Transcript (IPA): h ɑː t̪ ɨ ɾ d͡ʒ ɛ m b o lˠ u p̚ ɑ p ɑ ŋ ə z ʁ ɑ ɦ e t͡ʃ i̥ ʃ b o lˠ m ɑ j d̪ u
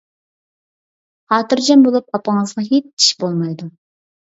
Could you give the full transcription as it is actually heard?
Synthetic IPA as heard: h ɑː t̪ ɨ ɾ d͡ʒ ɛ m b o lˠ u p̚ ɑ p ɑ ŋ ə z ʁ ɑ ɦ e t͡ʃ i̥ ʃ b o lˠ m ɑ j d̪ u